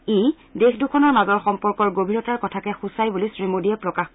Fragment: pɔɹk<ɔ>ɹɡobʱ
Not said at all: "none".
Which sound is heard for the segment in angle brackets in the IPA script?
ɔ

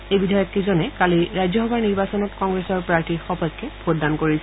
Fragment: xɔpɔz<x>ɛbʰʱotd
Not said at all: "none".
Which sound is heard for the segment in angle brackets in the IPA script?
k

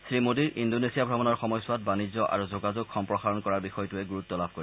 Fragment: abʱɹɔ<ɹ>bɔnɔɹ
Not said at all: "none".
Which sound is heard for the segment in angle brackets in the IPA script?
none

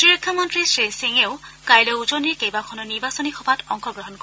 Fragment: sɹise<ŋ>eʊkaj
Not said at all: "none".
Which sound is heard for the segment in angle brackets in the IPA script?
ŋ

